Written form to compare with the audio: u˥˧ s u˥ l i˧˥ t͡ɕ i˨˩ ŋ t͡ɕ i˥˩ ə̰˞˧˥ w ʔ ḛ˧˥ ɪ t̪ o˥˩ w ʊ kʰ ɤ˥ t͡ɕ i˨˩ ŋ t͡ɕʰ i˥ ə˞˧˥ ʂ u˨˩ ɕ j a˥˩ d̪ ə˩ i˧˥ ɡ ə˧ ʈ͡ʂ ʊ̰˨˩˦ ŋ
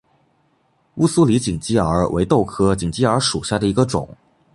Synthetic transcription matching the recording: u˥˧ s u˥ l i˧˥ t͡ɕ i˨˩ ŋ t͡ɕ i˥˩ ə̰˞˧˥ w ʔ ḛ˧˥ ɪ t̪ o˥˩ ʊ kʰ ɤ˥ t͡ɕ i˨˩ ŋ t͡ɕ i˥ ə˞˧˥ ʂ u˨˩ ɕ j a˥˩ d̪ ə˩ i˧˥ ɡ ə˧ ʈ͡ʂ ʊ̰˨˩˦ ŋ